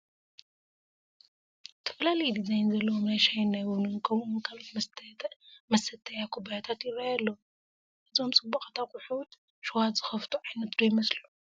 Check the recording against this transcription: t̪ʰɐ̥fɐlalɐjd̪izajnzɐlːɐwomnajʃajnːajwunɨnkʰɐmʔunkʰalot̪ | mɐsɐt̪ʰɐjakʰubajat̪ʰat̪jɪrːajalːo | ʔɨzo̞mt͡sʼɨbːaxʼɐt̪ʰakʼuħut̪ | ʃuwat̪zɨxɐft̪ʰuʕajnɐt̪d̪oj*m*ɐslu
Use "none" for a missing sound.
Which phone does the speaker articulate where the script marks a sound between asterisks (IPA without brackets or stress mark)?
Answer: m